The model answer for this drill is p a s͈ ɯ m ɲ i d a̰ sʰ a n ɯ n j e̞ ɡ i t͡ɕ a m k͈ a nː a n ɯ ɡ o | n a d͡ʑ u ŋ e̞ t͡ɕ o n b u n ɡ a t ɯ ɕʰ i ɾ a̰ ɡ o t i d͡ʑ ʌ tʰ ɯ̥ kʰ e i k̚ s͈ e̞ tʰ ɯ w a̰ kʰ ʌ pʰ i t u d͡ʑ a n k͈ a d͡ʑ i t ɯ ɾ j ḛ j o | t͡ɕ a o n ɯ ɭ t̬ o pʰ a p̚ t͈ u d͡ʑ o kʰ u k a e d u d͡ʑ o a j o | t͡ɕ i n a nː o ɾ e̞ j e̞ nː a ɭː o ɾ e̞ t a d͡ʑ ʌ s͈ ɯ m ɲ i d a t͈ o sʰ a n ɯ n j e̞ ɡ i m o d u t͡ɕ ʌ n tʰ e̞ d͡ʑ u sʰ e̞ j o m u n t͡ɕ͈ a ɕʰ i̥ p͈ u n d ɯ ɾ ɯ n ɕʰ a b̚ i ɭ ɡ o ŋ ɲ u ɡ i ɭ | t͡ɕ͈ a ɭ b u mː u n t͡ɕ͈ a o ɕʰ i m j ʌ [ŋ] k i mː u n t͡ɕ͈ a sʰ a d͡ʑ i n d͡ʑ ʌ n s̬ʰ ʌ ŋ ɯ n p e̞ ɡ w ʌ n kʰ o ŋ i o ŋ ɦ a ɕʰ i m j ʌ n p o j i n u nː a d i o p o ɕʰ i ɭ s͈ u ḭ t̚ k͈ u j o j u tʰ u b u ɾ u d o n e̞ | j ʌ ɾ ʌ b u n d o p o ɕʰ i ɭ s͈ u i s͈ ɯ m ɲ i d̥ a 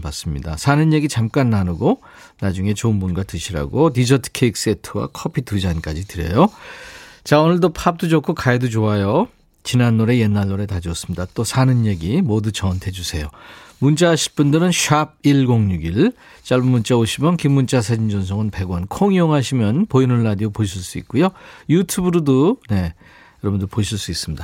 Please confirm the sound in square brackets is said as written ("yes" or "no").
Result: no